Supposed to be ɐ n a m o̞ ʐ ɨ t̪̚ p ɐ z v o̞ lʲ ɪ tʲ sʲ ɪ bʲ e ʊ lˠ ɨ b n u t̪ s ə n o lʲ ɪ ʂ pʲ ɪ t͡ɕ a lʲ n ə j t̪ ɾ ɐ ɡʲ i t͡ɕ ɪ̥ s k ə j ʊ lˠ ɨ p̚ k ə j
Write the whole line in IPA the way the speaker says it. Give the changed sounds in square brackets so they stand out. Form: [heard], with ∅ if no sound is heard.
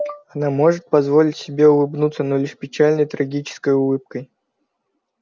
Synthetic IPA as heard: ɐ n a m o̞ ʐ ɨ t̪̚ p ɐ z v o̞ lʲ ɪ tʲ sʲ ɪ bʲ e ʊ lˠ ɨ b n u t̪ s ə n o lʲ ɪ ʂ pʲ ɪ t͡ɕ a lʲ n ə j t̪ ɾ ɐ ɡʲ i t͡ɕ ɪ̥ s k ə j ʊ lˠ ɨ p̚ k ə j